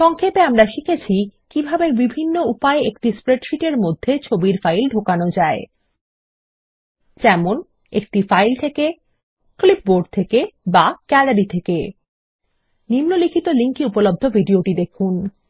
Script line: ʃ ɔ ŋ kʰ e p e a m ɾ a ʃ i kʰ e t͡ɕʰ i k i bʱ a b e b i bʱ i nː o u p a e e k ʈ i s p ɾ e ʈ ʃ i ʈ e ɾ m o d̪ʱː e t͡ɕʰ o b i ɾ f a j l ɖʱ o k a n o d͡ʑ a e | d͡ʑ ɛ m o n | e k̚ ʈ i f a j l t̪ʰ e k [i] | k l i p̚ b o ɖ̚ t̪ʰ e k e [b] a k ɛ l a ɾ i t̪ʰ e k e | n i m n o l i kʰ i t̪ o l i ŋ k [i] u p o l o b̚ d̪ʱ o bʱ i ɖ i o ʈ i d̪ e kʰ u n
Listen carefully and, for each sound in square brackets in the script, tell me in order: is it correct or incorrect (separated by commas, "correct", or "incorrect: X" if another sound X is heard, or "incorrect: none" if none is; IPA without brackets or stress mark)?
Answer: incorrect: e, correct, correct